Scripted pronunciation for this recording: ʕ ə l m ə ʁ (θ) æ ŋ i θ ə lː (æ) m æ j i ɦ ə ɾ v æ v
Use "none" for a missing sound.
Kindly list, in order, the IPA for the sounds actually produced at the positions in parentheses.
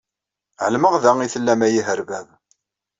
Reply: ð, æ

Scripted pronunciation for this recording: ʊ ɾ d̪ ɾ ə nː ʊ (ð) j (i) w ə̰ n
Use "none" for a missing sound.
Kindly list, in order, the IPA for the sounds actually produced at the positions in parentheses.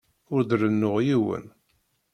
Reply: ʁ, i

